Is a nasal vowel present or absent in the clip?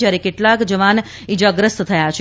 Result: absent